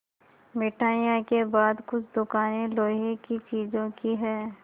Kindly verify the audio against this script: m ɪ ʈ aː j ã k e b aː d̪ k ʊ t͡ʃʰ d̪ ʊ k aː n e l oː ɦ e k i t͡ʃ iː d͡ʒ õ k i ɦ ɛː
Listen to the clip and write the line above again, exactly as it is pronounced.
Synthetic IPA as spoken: m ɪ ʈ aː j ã k e b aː d̪ k ʊ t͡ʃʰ d̪ ʊ k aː n e l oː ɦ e k i t͡ʃ iː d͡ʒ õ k i ɦ ɛː